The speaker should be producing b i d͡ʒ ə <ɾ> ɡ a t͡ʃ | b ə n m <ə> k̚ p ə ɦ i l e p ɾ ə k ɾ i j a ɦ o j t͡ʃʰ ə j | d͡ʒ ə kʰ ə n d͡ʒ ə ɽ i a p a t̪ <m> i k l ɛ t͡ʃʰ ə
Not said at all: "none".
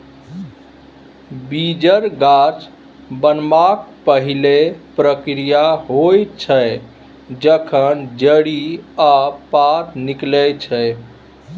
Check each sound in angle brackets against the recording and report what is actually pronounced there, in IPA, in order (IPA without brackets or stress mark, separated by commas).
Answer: ɾ, a, n